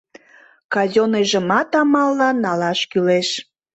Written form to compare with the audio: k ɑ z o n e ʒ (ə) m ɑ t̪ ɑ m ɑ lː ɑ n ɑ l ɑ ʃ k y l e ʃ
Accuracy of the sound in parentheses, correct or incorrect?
correct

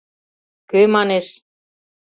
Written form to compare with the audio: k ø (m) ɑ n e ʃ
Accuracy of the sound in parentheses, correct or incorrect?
correct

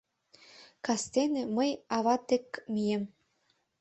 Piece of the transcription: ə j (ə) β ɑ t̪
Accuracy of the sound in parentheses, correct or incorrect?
incorrect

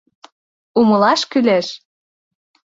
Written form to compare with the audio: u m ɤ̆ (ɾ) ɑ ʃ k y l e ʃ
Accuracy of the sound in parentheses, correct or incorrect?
incorrect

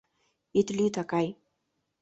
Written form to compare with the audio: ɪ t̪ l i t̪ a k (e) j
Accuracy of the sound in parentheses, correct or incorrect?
incorrect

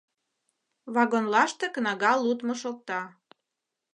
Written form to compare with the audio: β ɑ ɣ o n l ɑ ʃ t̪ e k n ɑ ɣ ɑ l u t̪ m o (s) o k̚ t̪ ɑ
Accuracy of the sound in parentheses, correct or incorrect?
incorrect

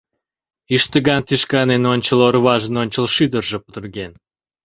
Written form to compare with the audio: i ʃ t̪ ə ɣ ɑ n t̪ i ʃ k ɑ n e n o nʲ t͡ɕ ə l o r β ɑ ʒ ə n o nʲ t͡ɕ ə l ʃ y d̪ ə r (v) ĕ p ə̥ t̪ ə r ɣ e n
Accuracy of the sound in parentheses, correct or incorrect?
incorrect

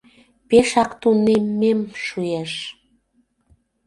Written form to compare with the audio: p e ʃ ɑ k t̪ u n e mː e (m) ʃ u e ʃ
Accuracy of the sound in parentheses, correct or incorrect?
correct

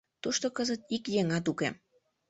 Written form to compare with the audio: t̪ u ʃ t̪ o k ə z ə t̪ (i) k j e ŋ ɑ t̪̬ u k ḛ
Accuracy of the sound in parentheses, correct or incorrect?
correct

